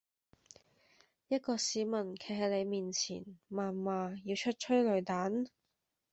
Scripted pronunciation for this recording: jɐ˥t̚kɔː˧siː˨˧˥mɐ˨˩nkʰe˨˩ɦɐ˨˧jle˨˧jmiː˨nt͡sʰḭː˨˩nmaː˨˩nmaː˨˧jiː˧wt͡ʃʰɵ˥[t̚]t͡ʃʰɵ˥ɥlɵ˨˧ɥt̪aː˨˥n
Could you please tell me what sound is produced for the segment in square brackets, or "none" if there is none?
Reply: t̚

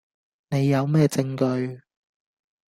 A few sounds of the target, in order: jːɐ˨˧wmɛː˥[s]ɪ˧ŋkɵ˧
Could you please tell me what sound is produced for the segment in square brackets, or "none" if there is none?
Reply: t͡s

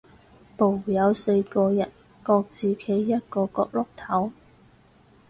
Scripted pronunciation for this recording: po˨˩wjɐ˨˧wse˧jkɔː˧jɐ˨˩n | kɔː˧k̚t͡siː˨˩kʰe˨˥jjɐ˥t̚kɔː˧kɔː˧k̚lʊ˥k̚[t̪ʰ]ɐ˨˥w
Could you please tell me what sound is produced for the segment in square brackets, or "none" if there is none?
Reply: t̪ʰ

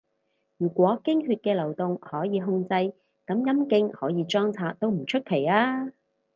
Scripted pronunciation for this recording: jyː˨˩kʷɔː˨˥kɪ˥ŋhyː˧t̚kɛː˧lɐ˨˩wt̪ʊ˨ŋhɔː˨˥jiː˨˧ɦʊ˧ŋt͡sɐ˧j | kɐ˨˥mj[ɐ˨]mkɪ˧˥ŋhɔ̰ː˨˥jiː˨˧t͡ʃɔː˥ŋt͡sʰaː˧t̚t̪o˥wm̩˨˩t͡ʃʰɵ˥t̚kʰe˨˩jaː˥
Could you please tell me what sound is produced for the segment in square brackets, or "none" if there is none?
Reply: ɐ˥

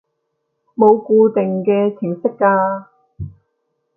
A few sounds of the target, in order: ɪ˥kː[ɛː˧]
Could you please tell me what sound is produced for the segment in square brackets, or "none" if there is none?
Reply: aː˧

